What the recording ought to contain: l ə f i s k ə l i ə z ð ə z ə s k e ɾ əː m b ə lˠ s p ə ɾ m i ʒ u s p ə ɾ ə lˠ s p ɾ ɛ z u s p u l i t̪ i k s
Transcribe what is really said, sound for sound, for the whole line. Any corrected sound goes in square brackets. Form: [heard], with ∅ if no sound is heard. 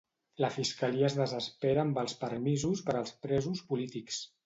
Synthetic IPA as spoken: l ə f i s k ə l i ə z ð ə z ə s [p] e ɾ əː m b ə lˠ s p ə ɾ m i [z] u s p ə ɾ ə lˠ s p ɾ ɛ z u s p u l i t̪ i k s